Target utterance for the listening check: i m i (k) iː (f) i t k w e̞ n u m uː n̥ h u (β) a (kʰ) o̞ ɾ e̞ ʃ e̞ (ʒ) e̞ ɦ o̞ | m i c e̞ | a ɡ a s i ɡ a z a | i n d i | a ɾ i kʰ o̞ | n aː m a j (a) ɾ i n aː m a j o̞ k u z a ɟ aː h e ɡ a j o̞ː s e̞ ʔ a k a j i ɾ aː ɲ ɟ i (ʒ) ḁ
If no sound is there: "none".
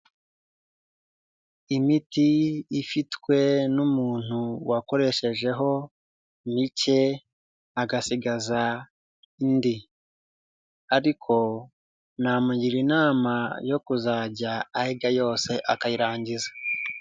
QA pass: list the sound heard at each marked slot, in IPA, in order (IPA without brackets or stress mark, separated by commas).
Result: t, f, w, k, ʒ, i, z